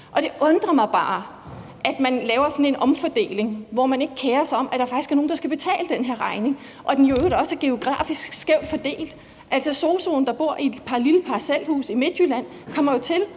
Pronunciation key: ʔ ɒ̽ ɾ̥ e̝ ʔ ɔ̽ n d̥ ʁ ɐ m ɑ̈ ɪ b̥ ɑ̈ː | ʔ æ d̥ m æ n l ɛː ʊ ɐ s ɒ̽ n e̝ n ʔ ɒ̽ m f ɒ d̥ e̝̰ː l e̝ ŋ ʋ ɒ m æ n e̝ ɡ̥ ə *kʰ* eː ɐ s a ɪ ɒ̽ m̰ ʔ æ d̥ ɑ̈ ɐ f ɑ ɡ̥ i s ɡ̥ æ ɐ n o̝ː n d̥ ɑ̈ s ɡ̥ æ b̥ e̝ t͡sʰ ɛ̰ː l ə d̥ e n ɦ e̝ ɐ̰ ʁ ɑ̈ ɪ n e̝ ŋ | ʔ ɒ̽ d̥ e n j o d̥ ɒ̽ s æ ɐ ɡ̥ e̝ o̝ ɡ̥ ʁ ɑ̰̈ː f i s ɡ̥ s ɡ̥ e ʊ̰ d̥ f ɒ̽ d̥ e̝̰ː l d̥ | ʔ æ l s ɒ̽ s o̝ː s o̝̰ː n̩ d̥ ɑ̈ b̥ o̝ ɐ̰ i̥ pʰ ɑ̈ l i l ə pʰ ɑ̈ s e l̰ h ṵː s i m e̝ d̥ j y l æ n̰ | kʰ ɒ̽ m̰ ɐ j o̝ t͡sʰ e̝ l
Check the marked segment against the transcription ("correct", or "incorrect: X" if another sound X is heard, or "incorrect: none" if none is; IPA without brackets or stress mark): correct